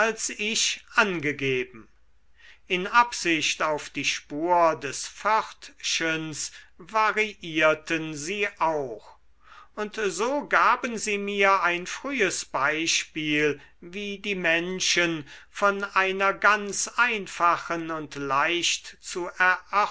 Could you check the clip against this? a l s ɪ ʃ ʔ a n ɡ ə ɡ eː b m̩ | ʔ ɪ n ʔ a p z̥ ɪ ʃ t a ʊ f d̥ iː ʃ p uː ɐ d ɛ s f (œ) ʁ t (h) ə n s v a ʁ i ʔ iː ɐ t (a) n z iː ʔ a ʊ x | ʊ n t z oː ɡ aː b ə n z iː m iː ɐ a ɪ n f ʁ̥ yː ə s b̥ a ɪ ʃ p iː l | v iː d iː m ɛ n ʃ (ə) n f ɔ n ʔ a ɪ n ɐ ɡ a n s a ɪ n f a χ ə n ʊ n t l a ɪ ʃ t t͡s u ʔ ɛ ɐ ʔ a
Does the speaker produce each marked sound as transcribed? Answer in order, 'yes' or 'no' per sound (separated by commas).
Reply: yes, no, no, yes